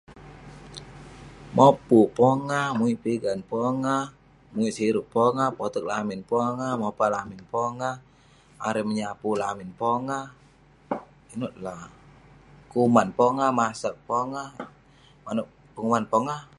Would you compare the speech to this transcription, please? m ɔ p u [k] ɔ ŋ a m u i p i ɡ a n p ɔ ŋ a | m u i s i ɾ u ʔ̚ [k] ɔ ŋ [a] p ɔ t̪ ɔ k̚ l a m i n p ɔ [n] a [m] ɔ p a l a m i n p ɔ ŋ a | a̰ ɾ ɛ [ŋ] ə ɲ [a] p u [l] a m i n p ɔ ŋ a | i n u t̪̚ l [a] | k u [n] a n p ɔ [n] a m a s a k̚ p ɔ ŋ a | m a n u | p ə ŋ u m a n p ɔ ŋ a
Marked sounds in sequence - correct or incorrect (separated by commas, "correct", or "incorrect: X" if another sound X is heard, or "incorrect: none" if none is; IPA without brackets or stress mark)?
incorrect: p, incorrect: p, correct, incorrect: ŋ, correct, incorrect: m, correct, correct, correct, incorrect: m, incorrect: ŋ